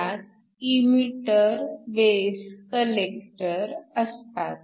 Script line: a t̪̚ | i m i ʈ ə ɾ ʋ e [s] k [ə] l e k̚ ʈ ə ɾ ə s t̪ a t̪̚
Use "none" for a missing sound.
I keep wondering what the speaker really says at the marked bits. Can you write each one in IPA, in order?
s, ə

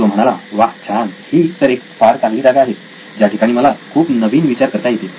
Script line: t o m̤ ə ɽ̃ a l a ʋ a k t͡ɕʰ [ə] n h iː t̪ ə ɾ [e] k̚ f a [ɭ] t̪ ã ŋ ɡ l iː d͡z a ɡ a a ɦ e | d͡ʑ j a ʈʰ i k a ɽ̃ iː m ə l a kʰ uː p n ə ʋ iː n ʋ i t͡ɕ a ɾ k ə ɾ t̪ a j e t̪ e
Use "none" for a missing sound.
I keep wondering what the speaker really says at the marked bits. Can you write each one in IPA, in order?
a, e, ɾ

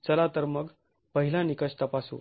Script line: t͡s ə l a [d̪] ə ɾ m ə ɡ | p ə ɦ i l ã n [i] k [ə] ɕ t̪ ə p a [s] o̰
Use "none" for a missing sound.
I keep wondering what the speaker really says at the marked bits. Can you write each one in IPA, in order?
t̪, i, ə, s

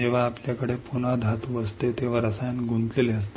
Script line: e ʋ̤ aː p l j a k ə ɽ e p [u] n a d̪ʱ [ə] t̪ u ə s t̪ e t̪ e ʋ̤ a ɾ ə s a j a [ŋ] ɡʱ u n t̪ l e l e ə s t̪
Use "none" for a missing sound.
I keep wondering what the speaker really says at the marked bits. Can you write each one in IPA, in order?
u, a, n

